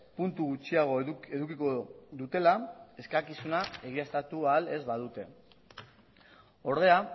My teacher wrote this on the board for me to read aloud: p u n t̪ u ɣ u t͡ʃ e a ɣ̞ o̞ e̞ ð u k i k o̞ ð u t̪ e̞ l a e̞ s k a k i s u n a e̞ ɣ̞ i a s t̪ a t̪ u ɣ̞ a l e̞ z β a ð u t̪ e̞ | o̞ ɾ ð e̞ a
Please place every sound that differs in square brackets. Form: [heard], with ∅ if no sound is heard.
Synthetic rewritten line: p u n t̪ u ɣ u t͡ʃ [i] a ɣ̞ o̞ e̞ ð u k i k o̞ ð u t̪ e̞ l a e̞ s k a k i s u n a e̞ ɣ̞ i a s t̪ a t̪ u [∅] a l e̞ z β a ð u t̪ e̞ | o̞ ɾ ð e̞ a